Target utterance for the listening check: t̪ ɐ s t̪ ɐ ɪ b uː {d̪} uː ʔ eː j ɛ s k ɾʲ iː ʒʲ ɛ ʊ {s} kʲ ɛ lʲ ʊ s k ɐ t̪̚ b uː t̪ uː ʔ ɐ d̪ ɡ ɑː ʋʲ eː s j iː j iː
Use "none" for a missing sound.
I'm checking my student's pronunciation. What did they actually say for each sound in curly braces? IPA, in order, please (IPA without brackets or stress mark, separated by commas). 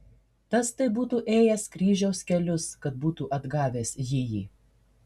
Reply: t̪, s